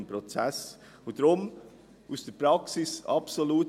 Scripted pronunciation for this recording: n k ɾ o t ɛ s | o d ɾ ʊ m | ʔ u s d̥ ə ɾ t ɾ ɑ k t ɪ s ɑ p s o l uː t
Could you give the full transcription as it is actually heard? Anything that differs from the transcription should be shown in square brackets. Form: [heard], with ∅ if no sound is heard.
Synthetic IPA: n [p] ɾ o [t͡s] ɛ s | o d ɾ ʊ m | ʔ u s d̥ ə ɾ [p] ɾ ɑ k [s] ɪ s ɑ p s o l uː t